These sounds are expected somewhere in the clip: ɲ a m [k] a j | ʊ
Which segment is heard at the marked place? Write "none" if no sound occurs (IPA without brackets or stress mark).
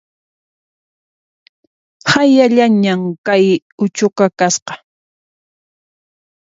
k